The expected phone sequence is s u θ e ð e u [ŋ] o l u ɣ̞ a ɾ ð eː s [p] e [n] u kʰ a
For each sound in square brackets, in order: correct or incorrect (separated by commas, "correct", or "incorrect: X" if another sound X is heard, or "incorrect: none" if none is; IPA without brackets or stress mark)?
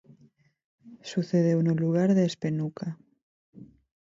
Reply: incorrect: n, correct, correct